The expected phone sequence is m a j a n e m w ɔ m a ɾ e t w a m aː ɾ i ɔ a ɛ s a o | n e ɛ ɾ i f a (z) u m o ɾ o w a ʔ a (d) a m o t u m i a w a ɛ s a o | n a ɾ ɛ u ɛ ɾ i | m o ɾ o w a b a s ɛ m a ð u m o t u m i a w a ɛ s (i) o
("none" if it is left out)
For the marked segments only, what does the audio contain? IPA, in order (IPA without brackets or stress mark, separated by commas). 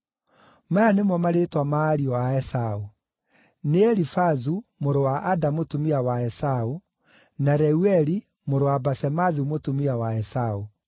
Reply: z, d, a